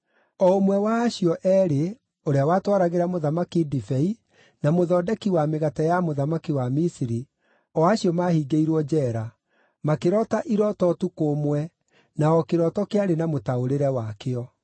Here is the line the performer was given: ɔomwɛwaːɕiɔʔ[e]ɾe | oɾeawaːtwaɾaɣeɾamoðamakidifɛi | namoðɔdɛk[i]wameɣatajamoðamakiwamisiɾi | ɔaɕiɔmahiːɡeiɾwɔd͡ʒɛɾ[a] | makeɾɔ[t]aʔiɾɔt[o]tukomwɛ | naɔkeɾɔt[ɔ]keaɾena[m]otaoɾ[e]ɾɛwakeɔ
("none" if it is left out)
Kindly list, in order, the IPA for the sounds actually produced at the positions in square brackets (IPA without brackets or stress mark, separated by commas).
ɛ, i, a, t, ɔ, ɔ, m, e